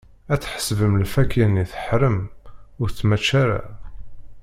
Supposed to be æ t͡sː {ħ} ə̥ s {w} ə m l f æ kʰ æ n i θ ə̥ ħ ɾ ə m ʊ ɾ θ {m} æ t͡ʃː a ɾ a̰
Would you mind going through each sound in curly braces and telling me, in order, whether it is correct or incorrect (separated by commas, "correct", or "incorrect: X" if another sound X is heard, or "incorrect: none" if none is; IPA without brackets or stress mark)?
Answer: correct, incorrect: v, correct